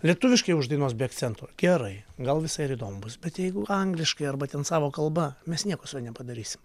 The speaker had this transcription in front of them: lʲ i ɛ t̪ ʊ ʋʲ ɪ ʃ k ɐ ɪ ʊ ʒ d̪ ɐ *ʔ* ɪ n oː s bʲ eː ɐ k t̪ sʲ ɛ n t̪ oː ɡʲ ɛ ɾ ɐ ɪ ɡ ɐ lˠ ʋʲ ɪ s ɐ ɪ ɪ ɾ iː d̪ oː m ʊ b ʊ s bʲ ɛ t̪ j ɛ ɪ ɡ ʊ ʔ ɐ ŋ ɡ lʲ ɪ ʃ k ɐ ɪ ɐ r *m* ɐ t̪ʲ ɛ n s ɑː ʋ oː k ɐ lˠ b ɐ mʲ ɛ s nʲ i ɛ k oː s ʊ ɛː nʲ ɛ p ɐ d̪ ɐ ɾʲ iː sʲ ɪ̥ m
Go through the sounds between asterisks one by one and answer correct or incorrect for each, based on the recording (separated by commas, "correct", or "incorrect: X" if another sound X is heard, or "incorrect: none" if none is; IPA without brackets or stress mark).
incorrect: none, incorrect: b